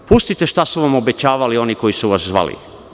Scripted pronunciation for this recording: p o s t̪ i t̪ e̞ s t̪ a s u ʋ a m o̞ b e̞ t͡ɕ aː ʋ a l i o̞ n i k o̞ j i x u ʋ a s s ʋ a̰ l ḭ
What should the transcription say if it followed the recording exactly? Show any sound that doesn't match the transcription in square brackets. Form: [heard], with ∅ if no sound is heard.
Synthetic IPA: p [u] s t̪ i t̪ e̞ [ʃ] t̪ a s u ʋ a m o̞ b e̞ t͡ɕ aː ʋ a l i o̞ n i k o̞ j i [s] u ʋ a s [z] ʋ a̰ l ḭ